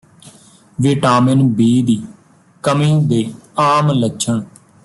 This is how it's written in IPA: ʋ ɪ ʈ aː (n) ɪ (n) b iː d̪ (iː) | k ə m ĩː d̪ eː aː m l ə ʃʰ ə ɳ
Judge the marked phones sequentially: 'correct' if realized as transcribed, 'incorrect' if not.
incorrect: m, correct, correct

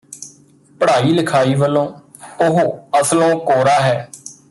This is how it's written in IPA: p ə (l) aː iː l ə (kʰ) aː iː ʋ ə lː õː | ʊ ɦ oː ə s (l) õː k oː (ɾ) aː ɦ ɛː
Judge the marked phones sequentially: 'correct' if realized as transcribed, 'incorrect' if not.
incorrect: ɽ, correct, correct, correct

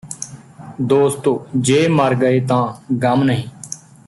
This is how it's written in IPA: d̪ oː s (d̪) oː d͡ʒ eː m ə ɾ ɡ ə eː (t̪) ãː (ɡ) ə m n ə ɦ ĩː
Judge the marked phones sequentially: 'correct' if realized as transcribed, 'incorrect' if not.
incorrect: t̪, correct, correct

